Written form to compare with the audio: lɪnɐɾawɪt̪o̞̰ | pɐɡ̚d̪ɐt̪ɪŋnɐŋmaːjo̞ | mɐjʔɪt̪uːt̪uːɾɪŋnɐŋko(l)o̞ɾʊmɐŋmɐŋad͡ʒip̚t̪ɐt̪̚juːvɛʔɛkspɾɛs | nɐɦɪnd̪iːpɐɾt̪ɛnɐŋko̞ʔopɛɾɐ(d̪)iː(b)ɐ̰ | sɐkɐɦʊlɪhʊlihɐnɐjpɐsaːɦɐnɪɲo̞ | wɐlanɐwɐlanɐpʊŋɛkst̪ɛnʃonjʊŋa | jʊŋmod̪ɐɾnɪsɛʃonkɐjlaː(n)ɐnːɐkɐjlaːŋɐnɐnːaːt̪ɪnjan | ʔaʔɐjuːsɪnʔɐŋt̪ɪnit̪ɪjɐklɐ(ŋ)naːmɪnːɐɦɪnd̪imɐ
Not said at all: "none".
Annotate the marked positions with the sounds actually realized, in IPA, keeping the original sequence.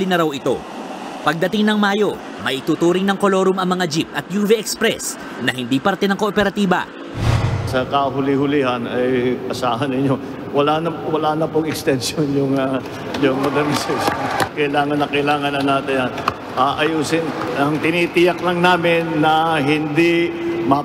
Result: l, t̪, b, ŋ, ŋ

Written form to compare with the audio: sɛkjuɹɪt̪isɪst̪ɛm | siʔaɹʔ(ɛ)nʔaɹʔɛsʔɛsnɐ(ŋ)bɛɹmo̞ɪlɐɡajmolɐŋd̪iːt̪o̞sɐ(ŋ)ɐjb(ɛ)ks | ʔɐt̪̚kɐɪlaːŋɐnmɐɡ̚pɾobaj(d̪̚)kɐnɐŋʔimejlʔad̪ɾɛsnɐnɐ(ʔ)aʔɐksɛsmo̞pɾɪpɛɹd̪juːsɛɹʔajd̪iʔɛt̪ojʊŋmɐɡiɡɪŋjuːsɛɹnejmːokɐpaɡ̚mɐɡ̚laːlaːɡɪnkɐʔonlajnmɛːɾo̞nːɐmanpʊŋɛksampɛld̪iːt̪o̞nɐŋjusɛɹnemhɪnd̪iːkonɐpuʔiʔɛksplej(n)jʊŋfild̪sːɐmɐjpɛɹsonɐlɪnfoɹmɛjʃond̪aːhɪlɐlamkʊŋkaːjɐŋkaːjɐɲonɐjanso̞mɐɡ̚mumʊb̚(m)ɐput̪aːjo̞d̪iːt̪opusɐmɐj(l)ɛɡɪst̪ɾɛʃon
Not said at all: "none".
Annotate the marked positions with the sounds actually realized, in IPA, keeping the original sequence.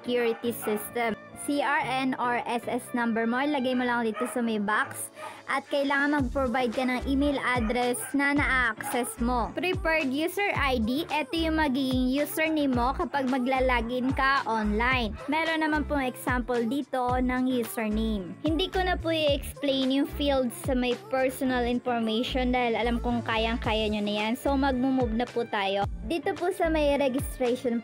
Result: ɛ, m, m, a, d̪̚, ʔ, n, n, ɾ

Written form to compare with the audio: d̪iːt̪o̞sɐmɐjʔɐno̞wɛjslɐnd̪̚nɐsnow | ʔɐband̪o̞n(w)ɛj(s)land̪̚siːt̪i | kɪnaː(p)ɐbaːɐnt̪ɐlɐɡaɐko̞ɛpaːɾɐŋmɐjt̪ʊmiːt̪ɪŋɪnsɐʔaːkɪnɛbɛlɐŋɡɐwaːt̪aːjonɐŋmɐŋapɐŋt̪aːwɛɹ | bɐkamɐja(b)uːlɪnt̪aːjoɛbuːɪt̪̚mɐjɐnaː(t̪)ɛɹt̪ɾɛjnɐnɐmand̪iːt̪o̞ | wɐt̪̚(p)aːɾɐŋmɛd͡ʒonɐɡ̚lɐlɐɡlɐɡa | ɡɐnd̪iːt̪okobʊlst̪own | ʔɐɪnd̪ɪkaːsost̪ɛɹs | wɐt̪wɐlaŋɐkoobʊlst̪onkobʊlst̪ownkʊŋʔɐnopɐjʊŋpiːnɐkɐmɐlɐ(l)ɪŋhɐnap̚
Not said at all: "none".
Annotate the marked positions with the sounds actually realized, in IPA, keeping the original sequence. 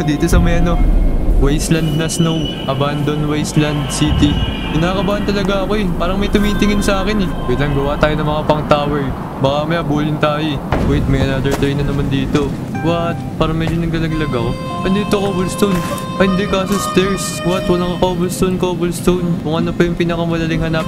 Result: w, s, k, b, d̪, p, l

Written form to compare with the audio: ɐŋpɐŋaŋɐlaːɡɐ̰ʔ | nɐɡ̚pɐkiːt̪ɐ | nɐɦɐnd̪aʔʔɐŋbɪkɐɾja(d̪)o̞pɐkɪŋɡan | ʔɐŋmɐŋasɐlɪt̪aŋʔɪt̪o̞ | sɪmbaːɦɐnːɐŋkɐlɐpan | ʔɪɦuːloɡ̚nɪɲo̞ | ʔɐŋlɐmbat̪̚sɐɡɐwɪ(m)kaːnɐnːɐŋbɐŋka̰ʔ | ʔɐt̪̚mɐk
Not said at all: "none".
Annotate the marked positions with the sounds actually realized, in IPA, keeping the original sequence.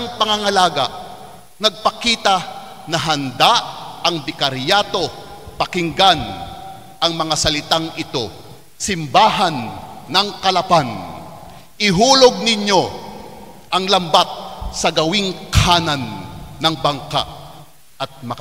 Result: t̪, ŋ

